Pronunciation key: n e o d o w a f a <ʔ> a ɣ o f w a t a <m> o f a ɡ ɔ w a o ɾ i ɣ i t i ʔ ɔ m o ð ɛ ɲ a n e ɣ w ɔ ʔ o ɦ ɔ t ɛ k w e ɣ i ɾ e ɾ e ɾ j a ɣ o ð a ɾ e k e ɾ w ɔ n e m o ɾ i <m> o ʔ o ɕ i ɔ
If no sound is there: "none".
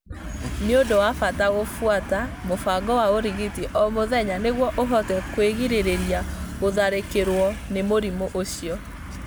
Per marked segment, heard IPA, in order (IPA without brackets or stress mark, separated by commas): t, m, m